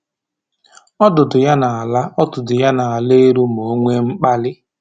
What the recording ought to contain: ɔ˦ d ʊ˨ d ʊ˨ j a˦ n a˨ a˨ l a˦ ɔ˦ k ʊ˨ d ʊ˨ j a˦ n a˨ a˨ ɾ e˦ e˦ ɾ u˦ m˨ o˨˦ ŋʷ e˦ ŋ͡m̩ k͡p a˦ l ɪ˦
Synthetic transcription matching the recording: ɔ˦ d ʊ˨ d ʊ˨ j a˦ n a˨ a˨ l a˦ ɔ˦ t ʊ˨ d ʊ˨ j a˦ n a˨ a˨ l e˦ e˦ ɾ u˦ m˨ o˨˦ ŋʷ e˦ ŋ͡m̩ k͡p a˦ l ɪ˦